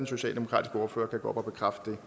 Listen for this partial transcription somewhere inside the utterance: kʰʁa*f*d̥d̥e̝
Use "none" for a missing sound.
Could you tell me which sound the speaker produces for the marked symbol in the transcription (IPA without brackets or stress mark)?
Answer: f